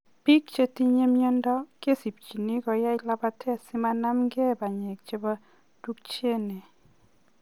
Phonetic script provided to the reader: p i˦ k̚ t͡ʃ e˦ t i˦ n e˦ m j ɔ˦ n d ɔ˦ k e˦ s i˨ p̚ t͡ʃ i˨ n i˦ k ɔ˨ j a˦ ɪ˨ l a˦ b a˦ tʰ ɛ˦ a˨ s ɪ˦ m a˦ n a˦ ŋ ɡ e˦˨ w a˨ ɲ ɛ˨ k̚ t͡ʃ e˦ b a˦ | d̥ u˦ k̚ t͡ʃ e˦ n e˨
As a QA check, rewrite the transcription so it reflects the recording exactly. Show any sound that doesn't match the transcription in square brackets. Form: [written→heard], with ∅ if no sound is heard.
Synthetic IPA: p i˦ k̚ t͡ʃ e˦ t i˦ [n→ɲ] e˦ m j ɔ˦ n d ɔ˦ k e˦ s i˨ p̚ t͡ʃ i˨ n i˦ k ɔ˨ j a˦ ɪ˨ l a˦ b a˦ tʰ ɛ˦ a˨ s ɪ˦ m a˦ n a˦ [ŋ→m] ɡ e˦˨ [w→b] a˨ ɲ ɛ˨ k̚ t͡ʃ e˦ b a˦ | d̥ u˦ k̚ t͡ʃ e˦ n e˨